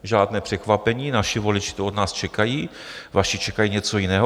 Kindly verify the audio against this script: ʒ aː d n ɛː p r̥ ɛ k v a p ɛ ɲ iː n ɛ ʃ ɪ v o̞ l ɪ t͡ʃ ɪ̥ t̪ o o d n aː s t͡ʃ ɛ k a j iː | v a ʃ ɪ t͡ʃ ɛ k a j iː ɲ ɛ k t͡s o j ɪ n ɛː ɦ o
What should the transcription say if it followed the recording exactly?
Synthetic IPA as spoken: ʒ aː d n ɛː p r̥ ɛ k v a p ɛ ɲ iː n a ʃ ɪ v o̞ l ɪ t͡ʃ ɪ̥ t̪ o o d n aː s t͡ʃ ɛ k a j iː | v a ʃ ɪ t͡ʃ ɛ k a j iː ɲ ɛ t͡s o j ɪ n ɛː ɦ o